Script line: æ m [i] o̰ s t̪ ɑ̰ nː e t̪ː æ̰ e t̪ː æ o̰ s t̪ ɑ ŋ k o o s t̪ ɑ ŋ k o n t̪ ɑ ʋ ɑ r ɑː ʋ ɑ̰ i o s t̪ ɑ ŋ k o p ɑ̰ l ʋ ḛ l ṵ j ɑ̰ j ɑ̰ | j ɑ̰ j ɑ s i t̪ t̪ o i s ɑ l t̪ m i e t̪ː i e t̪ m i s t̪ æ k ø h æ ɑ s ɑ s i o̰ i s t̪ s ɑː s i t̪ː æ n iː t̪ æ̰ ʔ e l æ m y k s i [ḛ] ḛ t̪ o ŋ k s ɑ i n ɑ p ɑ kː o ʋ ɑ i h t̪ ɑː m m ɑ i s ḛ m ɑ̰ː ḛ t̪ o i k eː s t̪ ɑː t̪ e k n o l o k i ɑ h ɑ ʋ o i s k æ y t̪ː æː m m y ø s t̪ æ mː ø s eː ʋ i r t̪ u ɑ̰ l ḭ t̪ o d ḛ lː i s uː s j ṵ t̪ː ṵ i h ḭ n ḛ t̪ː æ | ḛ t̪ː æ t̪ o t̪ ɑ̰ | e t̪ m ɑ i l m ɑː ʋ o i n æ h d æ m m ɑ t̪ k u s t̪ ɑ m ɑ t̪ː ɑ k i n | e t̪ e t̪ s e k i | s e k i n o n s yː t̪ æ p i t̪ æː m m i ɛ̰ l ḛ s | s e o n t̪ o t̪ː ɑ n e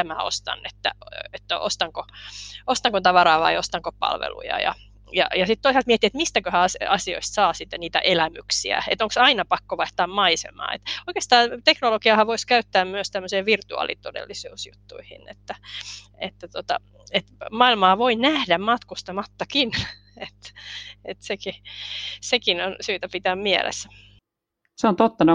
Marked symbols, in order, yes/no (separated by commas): no, no